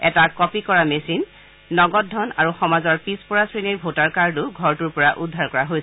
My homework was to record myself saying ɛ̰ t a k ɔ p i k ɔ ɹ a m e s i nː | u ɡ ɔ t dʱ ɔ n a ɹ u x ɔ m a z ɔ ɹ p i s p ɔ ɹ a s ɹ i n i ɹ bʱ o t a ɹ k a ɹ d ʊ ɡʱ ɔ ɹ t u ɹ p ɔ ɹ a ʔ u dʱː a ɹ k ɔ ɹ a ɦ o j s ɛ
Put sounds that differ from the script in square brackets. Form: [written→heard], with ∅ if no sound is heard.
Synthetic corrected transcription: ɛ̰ t a k ɔ p i k ɔ ɹ a m e s i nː | [u→ɔ] ɡ ɔ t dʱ ɔ n a ɹ u x ɔ m a z ɔ ɹ p i s p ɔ ɹ a s ɹ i n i ɹ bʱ o t a ɹ k a ɹ d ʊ ɡʱ ɔ ɹ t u ɹ p ɔ ɹ a ʔ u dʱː a ɹ k ɔ ɹ a ɦ o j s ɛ